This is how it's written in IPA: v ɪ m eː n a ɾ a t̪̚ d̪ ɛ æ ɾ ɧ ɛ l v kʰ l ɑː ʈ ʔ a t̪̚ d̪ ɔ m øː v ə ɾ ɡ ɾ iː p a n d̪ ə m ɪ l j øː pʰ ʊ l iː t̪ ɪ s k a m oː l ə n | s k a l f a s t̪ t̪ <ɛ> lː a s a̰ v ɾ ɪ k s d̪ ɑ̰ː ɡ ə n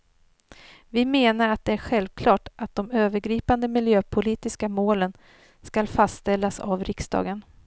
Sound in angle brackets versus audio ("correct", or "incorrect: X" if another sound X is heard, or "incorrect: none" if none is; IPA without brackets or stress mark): correct